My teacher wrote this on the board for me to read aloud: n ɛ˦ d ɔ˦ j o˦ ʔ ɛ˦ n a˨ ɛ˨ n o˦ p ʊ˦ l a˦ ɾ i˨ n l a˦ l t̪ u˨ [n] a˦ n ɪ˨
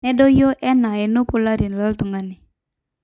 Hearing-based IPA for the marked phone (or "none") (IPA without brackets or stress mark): ŋ